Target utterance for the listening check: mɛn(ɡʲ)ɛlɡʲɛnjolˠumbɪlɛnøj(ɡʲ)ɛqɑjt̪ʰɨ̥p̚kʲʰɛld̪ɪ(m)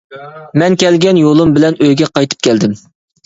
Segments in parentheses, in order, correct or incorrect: incorrect, correct, correct

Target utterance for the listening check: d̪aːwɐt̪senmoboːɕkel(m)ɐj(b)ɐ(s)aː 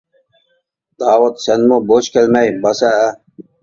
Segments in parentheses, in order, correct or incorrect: correct, correct, correct

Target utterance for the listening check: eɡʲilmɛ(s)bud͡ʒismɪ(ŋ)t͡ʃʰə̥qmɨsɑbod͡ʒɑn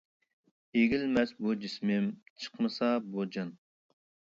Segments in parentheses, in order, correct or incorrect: correct, incorrect

